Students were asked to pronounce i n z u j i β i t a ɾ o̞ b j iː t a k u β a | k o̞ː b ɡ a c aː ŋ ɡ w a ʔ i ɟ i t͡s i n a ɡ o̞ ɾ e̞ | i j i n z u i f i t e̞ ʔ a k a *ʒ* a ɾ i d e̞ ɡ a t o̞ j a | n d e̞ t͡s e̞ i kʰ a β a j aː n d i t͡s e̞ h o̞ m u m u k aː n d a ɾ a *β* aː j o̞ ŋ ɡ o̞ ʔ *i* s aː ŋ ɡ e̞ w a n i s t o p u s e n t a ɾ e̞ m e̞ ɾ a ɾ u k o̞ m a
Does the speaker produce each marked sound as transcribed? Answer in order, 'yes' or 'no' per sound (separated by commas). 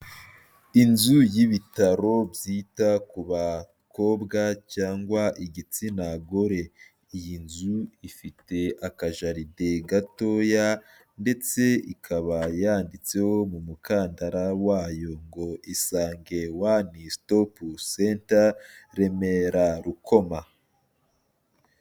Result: yes, no, yes